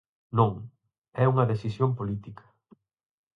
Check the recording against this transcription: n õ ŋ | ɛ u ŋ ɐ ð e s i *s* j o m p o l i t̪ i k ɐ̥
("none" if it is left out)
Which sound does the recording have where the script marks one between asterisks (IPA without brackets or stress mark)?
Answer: s